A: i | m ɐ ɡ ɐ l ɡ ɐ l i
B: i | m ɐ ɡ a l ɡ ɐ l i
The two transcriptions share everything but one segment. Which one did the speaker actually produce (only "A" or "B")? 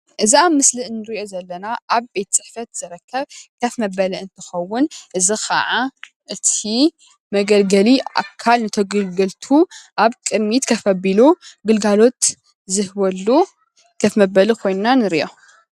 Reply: A